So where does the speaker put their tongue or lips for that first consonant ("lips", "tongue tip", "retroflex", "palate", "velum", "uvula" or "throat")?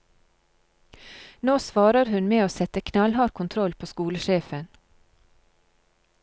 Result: tongue tip